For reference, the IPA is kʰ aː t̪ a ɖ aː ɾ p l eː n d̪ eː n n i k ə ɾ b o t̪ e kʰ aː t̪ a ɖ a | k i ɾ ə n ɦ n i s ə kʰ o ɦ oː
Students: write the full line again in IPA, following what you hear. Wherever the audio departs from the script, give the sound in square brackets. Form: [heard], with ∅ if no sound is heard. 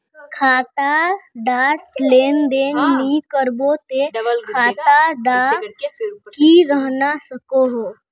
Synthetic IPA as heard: kʰ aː t̪ a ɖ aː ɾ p l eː n d̪ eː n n i k ə ɾ b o t̪ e kʰ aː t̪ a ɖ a | k i ɾ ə [∅] ɦ n [a] s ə [k] o ɦ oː